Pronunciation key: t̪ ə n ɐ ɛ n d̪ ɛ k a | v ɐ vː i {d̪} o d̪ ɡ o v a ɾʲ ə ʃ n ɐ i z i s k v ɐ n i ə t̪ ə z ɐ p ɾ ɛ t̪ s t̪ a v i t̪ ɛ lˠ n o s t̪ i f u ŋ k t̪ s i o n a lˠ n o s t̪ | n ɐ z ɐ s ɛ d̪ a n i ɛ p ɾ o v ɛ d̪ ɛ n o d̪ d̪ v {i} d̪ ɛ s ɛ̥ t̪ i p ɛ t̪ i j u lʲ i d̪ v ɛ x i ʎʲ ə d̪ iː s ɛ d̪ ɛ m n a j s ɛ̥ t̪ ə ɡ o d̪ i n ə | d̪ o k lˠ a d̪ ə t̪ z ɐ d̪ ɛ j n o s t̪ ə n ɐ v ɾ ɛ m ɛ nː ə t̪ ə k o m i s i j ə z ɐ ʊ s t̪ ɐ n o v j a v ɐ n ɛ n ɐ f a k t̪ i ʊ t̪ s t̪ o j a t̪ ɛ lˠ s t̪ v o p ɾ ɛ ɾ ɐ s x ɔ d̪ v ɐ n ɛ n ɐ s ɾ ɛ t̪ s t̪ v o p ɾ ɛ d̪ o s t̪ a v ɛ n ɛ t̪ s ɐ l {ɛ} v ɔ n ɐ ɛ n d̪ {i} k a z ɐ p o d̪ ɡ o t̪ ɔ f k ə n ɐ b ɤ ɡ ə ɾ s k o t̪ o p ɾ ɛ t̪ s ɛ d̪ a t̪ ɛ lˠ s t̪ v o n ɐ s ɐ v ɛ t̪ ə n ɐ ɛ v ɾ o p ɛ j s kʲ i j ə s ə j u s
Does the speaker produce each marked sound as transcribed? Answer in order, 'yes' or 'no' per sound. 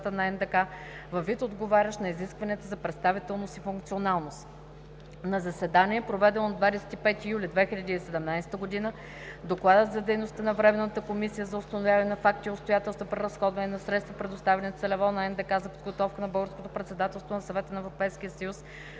no, no, yes, no

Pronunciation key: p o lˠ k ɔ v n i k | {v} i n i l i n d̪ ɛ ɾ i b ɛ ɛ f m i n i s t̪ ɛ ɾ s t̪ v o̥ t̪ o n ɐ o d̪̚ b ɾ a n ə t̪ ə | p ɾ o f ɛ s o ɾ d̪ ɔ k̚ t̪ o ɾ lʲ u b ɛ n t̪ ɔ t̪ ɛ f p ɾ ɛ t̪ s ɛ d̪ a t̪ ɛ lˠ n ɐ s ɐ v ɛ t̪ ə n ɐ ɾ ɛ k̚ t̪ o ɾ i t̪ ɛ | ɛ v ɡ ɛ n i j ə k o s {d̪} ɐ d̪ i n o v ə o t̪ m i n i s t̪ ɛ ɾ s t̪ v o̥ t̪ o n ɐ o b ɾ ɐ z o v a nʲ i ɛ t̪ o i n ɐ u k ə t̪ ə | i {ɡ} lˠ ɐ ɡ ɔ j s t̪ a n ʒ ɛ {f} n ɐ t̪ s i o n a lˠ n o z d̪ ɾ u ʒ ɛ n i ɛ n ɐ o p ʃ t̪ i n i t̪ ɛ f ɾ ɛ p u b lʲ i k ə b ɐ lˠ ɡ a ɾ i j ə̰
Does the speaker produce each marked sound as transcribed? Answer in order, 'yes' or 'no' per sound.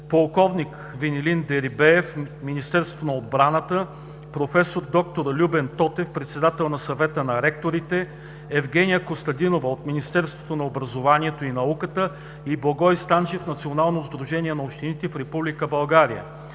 yes, no, no, yes

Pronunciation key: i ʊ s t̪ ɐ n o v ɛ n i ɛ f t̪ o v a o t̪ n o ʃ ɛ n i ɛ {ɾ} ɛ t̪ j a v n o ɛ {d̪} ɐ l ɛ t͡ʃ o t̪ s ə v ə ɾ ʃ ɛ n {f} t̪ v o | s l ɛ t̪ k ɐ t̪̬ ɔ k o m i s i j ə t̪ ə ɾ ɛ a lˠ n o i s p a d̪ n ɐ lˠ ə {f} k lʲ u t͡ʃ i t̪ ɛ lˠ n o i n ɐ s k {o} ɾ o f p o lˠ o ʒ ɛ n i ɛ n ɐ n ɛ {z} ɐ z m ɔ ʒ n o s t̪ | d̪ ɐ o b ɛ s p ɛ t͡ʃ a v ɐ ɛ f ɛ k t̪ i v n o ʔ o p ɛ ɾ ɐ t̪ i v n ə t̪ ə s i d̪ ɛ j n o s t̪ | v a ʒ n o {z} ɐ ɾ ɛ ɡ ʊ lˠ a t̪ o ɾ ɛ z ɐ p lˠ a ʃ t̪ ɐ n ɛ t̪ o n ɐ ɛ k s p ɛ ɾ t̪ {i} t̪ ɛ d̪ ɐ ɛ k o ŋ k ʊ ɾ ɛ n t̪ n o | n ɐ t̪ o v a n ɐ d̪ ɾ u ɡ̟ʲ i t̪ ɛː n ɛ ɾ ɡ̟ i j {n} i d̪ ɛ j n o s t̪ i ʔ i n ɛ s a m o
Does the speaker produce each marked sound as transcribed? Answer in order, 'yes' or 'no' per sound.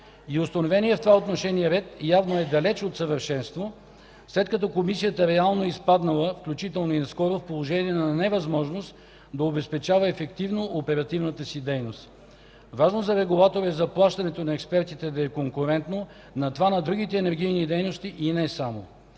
yes, yes, no, yes, no, no, yes, yes, yes

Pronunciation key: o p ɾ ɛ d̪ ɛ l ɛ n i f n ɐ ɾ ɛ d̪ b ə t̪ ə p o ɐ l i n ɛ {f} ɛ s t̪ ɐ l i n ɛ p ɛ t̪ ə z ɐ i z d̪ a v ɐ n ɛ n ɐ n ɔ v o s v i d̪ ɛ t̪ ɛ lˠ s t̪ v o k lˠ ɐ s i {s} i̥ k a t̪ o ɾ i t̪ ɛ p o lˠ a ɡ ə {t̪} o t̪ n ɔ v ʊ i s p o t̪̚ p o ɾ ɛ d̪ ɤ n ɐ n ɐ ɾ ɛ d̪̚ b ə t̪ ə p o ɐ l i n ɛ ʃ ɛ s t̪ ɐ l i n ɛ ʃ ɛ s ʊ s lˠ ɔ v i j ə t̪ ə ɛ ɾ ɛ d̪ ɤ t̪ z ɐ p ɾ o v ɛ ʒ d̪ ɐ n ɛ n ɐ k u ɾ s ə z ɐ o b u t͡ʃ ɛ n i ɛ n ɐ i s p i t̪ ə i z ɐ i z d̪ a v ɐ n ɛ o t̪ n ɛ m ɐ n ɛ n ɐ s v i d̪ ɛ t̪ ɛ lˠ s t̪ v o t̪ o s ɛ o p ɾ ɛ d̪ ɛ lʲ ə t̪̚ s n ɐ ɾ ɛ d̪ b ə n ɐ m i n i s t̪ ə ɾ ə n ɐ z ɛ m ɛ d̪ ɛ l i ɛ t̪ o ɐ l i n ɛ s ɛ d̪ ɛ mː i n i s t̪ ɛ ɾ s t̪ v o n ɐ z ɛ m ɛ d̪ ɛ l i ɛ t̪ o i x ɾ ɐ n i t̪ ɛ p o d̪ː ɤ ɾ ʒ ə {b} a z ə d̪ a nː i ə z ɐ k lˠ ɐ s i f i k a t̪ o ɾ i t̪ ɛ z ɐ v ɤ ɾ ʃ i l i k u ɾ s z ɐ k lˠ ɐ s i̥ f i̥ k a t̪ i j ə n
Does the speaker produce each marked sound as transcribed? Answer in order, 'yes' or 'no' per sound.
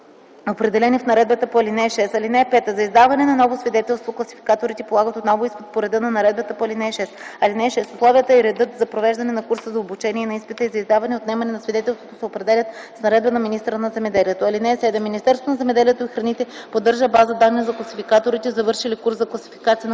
no, no, yes, yes

